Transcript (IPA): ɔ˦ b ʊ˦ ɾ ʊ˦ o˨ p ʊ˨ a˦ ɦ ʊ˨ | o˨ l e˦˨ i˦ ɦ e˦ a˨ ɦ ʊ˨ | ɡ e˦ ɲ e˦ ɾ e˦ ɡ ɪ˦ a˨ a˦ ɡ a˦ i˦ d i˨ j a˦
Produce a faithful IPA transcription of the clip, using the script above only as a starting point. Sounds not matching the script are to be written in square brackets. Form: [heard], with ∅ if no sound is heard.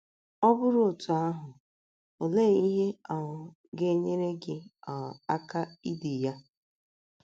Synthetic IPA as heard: ɔ˦ b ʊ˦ ɾ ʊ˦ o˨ [t] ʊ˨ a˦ ɦ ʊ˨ | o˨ l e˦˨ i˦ ɦ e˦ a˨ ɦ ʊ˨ | ɡ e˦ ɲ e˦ ɾ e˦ ɡ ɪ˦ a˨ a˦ [k] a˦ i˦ d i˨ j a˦